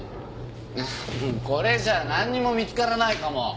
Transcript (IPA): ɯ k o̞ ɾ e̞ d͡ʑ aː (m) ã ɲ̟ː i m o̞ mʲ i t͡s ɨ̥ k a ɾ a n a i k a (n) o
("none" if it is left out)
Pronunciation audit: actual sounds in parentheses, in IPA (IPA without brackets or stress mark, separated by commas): n, m